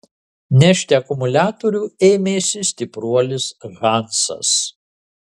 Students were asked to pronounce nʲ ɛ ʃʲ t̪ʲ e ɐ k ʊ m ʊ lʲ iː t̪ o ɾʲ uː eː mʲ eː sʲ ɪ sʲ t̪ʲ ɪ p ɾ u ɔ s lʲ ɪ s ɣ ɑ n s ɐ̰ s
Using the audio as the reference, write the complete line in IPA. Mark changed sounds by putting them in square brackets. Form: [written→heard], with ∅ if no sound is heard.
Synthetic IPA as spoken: nʲ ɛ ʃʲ t̪ʲ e ɐ k ʊ m ʊ lʲ [iː→æː] t̪ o ɾʲ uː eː mʲ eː sʲ ɪ sʲ t̪ʲ ɪ p ɾ u ɔ [s→∅] lʲ ɪ s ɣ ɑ n s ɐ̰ s